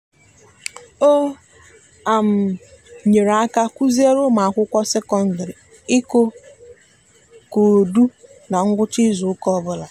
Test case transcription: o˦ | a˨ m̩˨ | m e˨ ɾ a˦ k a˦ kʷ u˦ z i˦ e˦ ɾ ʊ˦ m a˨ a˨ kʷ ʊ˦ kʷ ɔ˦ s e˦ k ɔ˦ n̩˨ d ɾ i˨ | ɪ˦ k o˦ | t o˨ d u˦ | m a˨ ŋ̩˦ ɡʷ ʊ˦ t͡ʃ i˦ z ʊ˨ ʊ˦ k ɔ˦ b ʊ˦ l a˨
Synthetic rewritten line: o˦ | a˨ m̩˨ | ɲ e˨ ɾ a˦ k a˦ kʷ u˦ z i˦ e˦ ɾ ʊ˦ m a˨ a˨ kʷ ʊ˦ kʷ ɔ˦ s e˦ k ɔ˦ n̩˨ d ɾ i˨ | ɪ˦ k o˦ | k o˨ d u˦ | n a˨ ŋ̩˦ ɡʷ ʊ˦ t͡ʃ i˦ z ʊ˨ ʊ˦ k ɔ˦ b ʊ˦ l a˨